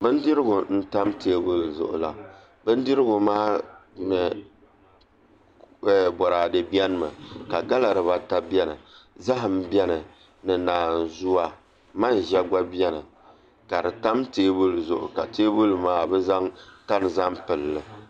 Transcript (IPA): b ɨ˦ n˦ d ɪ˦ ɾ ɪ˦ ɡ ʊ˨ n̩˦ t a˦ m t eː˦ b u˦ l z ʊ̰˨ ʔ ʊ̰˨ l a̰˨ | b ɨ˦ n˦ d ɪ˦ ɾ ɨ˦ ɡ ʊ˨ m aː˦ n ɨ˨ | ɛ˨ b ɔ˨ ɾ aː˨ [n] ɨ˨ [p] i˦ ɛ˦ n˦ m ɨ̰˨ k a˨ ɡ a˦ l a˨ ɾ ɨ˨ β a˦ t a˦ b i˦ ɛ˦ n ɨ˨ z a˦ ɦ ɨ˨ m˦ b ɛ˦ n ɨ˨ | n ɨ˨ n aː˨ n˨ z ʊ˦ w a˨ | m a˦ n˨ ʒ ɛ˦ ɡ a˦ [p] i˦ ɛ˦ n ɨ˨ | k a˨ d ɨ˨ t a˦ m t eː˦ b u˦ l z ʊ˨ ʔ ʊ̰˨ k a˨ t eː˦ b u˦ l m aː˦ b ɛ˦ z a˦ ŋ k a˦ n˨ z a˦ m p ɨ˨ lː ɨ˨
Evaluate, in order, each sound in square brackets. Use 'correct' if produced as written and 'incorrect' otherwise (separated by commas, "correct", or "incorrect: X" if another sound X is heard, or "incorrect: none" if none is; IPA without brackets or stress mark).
incorrect: d, incorrect: b, incorrect: b